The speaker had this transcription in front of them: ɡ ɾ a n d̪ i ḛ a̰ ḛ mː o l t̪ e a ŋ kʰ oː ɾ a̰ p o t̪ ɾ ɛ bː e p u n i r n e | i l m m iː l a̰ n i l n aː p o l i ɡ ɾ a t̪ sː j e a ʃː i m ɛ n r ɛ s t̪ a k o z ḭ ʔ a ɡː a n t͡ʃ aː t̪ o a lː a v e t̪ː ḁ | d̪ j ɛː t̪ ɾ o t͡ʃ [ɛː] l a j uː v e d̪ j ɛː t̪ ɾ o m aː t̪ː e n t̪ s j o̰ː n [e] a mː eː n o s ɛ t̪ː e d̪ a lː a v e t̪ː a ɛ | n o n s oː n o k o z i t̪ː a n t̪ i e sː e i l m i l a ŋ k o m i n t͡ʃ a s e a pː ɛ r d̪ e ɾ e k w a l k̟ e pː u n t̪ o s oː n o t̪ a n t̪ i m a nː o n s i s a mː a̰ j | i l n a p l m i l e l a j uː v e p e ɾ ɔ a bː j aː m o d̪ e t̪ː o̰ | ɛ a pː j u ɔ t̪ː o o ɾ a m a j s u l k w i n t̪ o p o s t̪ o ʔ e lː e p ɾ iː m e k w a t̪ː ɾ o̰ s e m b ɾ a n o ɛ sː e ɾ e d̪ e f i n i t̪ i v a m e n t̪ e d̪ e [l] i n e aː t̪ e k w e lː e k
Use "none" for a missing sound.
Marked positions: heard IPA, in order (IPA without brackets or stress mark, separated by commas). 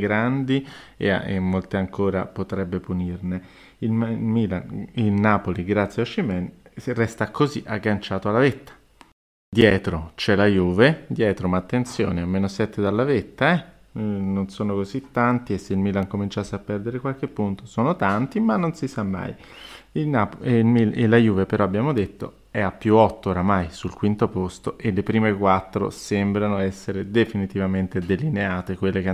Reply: ɛ, e, l